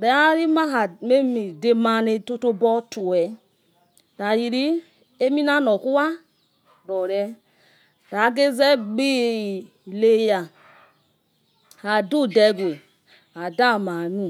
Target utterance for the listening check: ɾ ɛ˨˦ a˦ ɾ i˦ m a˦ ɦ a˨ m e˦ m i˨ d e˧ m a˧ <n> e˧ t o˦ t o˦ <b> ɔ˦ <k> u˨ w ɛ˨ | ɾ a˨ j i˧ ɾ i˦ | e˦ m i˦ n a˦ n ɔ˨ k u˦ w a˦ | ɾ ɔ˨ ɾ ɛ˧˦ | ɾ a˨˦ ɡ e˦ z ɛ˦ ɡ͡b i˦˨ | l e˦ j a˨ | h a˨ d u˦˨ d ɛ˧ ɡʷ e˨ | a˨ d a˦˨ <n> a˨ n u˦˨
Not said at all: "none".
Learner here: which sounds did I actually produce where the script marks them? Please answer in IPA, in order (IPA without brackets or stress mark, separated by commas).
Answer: n, b, t, m